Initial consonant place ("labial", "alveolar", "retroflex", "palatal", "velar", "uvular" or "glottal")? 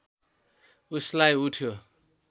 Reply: alveolar